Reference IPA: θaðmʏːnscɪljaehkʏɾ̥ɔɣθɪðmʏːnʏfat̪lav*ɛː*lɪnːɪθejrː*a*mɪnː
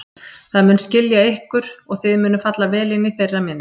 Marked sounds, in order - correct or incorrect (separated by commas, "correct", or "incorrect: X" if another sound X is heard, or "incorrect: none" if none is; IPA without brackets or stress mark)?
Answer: correct, correct